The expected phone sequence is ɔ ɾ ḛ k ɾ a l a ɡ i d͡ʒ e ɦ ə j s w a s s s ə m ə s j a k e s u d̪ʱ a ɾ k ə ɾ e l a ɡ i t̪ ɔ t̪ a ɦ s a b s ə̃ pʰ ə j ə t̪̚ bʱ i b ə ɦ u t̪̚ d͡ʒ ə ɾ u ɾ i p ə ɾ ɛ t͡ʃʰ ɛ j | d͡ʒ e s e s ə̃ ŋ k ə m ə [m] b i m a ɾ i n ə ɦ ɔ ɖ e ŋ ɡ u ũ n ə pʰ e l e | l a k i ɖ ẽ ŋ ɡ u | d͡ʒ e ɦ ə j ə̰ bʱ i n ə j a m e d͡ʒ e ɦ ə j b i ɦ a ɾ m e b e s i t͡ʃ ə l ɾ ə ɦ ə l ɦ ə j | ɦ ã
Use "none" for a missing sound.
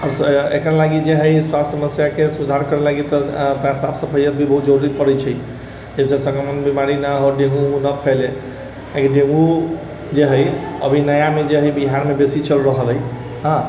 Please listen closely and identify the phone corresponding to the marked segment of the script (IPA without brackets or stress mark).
n